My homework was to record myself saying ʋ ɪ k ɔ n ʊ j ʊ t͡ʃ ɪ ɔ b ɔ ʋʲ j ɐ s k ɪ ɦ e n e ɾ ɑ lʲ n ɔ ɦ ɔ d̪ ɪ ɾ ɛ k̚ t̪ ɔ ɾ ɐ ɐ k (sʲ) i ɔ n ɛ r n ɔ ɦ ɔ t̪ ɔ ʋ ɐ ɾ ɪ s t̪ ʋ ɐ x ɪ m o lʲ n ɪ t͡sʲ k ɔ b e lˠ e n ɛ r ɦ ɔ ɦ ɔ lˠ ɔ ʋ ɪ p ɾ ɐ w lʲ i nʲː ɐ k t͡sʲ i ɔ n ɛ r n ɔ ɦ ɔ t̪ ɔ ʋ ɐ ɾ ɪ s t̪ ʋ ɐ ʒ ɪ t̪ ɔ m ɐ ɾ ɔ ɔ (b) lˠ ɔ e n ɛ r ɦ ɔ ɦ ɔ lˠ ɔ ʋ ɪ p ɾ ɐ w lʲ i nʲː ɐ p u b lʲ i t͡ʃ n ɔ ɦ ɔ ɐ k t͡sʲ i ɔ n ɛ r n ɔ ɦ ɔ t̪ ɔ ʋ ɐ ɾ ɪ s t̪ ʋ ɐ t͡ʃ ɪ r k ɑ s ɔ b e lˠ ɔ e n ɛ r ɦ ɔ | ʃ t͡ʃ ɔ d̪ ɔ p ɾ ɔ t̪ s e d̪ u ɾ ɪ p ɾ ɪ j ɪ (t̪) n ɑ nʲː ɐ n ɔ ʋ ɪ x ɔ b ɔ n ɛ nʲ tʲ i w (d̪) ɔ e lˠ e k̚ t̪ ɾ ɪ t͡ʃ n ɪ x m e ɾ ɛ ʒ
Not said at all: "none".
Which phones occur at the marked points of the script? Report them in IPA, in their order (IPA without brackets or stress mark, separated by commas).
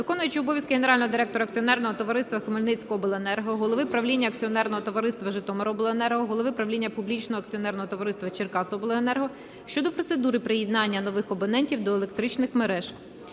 t͡sʲ, b, d̪, d̪